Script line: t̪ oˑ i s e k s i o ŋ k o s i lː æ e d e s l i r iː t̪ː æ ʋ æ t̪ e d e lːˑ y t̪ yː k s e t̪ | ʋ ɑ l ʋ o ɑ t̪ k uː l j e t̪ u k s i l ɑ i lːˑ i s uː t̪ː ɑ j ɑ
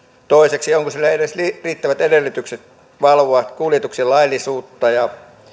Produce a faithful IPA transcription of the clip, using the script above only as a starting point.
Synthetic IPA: t̪ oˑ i s e k s i o ŋ k o s i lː æ e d e s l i r iː t̪ː æ ʋ æ t̪ e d e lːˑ y t̪ y k s e t̪ | ʋ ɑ l ʋ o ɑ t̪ k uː l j e t̪ u k s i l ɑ i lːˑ i s uː t̪ː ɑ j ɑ